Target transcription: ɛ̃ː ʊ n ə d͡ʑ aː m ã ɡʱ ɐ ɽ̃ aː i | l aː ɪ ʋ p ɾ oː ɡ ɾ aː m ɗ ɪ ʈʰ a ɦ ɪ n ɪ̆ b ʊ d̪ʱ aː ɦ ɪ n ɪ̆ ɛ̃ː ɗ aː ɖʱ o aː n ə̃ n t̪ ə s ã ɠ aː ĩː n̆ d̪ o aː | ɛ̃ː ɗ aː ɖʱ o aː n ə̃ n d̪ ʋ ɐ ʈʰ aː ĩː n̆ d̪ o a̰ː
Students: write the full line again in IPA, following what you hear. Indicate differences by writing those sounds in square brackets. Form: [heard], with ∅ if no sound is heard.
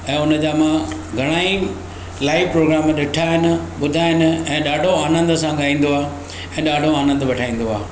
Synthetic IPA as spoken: ɛ̃ː ʊ n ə d͡ʑ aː m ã ɡʱ ɐ ɽ̃ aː i | l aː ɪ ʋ p ɾ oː ɡ ɾ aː m ɗ ɪ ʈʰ a ɦ ɪ n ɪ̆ [ɓ] ʊ d̪ʱ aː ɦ ɪ n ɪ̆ ɛ̃ː ɗ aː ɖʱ o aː n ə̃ n [d̪] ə s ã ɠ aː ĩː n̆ d̪ o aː | ɛ̃ː ɗ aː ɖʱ o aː n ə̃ n d̪ ʋ ɐ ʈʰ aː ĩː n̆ d̪ o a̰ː